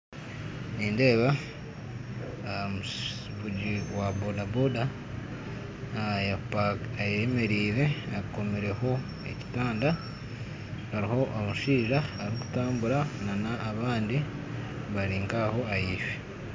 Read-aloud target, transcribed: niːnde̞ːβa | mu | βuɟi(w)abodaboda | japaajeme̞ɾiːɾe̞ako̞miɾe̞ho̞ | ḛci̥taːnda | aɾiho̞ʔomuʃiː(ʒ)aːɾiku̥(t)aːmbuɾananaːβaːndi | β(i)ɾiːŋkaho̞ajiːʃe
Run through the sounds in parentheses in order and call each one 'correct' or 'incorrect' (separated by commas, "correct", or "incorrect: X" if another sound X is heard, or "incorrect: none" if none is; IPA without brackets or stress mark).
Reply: correct, correct, correct, incorrect: a